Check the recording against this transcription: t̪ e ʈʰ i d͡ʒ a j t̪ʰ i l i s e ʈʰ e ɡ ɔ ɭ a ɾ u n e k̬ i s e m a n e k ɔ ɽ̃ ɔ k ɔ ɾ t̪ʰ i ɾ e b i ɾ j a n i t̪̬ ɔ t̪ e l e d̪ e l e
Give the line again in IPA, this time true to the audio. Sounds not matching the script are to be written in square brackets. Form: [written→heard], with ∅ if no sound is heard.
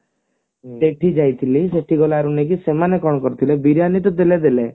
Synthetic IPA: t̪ e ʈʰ i d͡ʒ a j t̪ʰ i l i s e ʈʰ [e→i] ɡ ɔ [ɭ→l] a ɾ u n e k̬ i s e m a n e k ɔ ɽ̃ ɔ k ɔ ɾ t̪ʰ i [ɾ→l] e b i ɾ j a n i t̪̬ ɔ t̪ e l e d̪ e l e